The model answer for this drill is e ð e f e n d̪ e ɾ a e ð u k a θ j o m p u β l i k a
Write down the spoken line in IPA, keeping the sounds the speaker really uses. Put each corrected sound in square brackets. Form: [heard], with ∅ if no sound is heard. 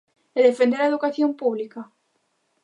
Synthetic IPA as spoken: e ð e f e n d̪ e ɾ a e ð u k a θ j o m p u β l i k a